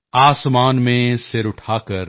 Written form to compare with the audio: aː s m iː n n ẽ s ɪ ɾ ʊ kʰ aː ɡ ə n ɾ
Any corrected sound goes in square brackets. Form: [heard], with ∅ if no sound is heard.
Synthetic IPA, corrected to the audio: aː s m [aː] n [m] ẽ s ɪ ɾ ʊ [ʈʰ] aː [k] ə [∅] ɾ